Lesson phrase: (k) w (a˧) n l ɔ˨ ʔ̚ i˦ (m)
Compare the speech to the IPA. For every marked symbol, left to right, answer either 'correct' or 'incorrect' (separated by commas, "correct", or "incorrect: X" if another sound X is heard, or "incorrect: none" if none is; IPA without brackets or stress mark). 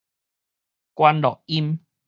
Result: correct, correct, correct